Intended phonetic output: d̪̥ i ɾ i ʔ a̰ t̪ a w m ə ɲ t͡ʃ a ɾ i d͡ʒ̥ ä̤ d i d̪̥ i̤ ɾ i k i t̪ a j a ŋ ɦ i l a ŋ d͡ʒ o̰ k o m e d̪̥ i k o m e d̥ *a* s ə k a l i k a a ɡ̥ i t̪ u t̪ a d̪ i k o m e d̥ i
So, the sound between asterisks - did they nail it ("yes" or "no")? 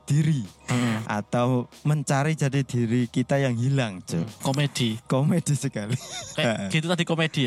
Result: no